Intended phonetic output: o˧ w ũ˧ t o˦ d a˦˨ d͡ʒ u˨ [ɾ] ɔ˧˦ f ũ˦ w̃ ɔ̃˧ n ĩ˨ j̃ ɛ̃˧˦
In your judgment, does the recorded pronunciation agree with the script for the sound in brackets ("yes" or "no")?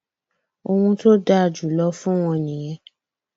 no